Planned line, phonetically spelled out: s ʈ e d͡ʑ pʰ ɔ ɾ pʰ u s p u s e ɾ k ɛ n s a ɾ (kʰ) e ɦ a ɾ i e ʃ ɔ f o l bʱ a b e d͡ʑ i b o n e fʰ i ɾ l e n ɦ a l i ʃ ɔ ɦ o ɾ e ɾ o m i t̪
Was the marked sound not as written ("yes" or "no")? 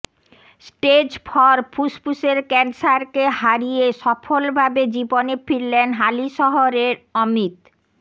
yes